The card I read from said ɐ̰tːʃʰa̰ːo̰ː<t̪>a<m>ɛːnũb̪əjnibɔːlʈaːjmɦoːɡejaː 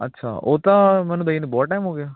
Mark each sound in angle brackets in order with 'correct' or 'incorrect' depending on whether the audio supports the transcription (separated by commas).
correct, correct